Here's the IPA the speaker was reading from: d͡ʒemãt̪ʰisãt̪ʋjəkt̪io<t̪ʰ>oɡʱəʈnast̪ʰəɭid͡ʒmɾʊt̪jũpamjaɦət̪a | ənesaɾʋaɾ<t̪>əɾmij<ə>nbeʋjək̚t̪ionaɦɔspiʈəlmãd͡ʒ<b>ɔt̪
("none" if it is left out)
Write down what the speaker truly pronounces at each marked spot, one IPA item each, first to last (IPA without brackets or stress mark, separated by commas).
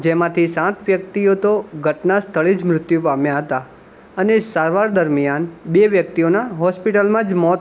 t̪, d̪, a, m